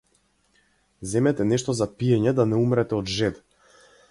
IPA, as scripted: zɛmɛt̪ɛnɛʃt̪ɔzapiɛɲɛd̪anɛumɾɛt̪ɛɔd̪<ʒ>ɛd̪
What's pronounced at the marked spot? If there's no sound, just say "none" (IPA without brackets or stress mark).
ʒ